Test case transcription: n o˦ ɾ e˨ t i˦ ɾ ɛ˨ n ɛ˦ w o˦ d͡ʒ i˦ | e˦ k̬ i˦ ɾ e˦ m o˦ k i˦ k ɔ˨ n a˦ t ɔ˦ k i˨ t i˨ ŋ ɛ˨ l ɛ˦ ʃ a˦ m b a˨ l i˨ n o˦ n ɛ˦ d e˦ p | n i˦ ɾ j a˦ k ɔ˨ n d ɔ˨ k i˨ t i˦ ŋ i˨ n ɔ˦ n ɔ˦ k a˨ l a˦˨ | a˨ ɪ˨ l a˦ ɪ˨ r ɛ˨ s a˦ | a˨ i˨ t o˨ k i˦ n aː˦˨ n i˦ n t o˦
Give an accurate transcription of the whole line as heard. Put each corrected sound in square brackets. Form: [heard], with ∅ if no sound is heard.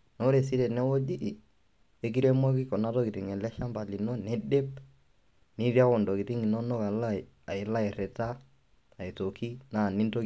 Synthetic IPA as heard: n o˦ ɾ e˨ [s] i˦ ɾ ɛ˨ n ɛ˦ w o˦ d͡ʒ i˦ | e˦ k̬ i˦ ɾ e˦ m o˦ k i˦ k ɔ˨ n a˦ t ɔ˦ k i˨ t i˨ ŋ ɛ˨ l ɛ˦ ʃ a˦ m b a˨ l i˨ n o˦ n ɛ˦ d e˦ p | n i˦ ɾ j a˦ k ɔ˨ n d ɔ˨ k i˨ t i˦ ŋ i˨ n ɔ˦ n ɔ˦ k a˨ l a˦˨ | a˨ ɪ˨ l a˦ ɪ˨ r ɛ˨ [t] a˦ | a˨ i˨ t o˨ k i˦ n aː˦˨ n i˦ n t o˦